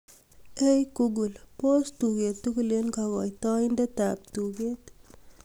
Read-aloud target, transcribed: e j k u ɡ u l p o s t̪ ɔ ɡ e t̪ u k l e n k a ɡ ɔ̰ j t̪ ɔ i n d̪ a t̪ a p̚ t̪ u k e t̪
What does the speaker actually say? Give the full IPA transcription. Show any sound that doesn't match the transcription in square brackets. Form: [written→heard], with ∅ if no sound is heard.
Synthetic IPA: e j k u ɡ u l p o s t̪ [ɔ→u] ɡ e t̪ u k l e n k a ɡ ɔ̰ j t̪ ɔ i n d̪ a t̪ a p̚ t̪ u [k→ɡ] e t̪